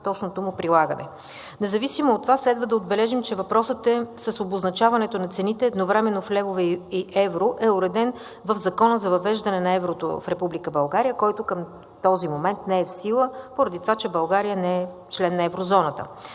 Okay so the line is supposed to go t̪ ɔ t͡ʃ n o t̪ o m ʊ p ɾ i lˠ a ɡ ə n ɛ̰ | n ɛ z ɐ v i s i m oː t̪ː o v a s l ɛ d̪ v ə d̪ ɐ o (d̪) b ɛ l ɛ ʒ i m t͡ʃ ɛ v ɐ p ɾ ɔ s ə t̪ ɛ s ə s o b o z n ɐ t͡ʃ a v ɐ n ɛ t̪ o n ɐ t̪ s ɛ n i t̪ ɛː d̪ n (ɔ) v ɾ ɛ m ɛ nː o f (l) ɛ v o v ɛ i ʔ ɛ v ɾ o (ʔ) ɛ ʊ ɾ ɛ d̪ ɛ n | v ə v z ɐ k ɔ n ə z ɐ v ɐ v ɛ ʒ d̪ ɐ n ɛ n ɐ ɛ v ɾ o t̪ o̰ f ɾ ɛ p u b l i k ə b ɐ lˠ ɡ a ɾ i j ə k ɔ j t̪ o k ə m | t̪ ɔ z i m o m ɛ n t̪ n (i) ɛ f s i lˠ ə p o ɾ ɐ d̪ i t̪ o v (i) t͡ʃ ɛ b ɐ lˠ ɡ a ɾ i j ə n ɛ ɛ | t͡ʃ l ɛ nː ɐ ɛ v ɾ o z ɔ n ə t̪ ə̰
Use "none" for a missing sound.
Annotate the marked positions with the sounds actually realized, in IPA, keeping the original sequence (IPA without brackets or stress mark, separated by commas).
d̪, o, l, ʔ, ɛ, a